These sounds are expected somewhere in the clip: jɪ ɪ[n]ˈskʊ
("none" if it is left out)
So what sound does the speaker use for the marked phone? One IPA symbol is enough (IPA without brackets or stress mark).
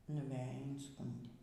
n